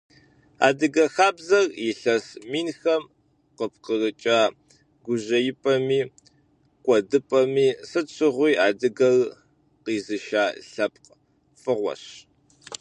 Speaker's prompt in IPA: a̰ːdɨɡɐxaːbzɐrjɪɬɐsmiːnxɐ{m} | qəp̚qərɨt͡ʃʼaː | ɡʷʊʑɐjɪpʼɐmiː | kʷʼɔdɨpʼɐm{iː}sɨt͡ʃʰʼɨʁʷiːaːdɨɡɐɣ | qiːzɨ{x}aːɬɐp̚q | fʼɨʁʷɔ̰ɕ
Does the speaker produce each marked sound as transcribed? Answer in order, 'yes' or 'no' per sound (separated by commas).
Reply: yes, yes, no